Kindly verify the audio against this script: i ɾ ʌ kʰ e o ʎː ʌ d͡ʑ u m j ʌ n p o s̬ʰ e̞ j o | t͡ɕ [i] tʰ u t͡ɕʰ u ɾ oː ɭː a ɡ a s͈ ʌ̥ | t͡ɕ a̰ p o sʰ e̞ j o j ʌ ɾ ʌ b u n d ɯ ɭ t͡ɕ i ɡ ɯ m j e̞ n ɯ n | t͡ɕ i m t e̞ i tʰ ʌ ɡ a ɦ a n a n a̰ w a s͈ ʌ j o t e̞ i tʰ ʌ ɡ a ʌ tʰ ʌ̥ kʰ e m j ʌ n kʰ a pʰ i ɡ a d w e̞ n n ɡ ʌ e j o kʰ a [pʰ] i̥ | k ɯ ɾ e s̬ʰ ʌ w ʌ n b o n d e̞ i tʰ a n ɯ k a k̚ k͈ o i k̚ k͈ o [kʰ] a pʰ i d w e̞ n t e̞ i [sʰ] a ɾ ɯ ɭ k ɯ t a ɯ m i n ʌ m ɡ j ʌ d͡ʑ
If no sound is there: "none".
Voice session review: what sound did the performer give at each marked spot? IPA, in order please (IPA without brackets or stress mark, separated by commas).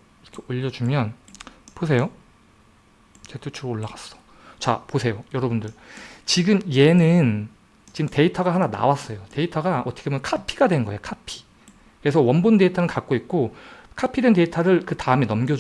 e, pʰ, kʰ, tʰ